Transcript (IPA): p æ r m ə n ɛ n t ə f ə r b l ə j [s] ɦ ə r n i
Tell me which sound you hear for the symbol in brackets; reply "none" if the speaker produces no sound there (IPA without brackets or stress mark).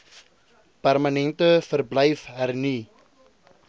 f